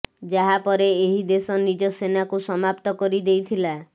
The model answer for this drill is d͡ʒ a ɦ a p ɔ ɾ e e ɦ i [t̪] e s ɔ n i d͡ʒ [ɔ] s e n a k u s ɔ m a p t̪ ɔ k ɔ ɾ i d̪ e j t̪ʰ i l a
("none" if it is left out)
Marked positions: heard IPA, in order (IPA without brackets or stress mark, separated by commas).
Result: d̪, ɔ